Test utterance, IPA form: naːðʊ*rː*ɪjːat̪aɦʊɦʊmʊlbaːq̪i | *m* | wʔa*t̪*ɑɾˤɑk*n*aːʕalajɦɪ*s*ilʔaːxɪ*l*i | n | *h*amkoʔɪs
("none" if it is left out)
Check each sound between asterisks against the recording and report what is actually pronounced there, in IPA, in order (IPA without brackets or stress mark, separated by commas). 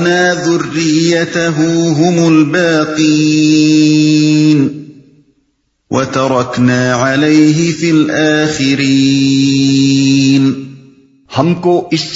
rː, n, t̪, n, f, ɾ, h